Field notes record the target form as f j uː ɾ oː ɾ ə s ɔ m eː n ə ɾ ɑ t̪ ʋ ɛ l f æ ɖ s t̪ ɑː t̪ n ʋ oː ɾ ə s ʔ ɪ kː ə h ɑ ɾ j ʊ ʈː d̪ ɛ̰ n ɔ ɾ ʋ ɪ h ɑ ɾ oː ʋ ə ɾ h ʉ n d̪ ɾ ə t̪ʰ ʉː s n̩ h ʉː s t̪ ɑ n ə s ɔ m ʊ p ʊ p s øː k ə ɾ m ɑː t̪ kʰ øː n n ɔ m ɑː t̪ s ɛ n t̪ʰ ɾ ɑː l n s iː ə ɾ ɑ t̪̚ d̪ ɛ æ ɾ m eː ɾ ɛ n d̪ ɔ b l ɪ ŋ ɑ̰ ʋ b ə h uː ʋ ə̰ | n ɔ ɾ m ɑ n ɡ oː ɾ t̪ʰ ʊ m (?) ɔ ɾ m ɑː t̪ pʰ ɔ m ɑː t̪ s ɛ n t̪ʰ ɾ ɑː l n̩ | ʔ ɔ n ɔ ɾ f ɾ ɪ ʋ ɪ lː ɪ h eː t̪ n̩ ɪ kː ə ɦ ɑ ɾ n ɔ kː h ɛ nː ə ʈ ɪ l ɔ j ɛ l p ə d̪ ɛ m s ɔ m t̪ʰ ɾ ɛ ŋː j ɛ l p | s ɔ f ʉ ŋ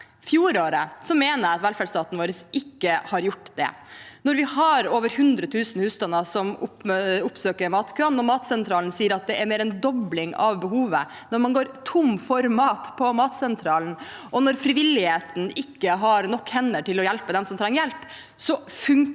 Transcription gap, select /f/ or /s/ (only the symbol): f